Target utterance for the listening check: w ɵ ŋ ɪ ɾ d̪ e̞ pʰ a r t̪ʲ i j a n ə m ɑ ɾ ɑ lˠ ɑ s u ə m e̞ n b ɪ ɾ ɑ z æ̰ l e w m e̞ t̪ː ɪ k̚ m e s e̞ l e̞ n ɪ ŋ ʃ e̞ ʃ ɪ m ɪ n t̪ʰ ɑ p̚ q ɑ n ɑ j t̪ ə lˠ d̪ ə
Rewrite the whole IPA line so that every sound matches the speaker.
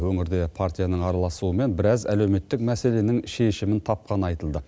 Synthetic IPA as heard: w ɵ ŋ ɪ ɾ d̪ e̞ pʰ a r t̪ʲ i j a n ə ɴ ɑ ɾ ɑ lˠ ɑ s u ə m e̞ n b ɪ ɾ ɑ z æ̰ l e w m e̞ t̪ː ɪ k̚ m æ s e̞ l e̞ n ɪ ŋ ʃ e̞ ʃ ɪ m ɪ n t̪ʰ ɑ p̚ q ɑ n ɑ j t̪ ə lˠ d̪ ə